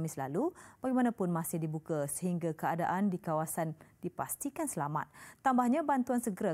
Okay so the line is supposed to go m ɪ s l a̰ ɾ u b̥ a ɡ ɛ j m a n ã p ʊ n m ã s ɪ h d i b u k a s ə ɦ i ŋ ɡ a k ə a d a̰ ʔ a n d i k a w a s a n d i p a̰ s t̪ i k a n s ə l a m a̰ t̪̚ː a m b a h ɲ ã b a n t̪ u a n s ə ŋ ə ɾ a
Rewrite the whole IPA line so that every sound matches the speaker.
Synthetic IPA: m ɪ s l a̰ l u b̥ a ɡ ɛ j m a n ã p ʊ n m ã s ɪ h d i b u k a s ə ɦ i ŋ ɡ a k ə a d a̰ ʔ a n d i k a w a s a n d i p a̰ s t̪ i k a n s ə l a m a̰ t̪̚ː a m b a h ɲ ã b a n t̪ u a n s ə ɡ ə ɾ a